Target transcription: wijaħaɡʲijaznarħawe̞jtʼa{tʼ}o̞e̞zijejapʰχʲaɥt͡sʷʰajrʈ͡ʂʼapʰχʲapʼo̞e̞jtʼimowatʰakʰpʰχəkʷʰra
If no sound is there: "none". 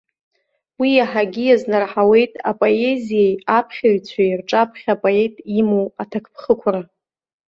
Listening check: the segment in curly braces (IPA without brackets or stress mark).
pʼ